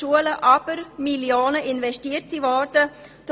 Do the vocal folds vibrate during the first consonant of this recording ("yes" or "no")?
yes